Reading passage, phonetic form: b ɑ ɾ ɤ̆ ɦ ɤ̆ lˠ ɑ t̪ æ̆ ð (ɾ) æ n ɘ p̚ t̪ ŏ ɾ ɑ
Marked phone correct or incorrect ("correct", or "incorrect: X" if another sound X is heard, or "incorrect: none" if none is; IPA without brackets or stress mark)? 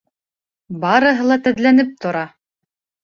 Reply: incorrect: l